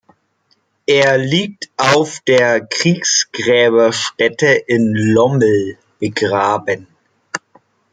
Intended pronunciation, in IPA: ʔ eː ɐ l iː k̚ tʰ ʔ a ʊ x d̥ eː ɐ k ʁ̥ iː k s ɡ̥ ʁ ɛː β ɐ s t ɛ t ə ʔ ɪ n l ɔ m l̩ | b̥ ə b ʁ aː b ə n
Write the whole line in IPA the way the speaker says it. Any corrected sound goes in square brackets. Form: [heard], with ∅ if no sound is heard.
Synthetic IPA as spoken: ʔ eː ɐ l iː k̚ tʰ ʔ a ʊ [f] d̥ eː ɐ k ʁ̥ iː k s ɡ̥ ʁ ɛː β ɐ [ʃ] t ɛ t ə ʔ ɪ n l ɔ m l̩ | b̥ ə [ɡ] ʁ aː b ə n